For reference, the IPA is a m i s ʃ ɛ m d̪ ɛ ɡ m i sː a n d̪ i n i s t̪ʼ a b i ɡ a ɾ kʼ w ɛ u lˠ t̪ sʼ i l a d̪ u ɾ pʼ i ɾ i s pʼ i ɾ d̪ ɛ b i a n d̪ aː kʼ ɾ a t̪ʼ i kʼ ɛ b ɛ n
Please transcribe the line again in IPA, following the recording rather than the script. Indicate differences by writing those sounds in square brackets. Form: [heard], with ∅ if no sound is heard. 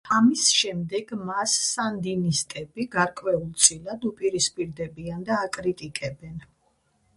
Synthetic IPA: a m i s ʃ ɛ m d̪ ɛ ɡ m [a] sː a n d̪ i n i s t̪ʼ [ɛ] b i ɡ a ɾ kʼ w ɛ u lˠ t̪ sʼ i l a d̪ u [∅] pʼ i ɾ i s pʼ i ɾ d̪ ɛ b i a n d̪ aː kʼ ɾ [i] t̪ʼ i kʼ ɛ b ɛ n